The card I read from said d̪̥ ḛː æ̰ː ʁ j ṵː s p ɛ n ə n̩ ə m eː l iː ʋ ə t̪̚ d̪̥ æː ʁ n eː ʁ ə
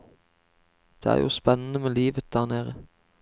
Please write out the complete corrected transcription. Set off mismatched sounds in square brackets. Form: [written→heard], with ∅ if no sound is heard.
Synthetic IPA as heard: d̪̥ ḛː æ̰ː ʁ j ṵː s p ɛ n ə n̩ ə m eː l iː ʋ ə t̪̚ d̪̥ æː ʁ n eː ʁ ə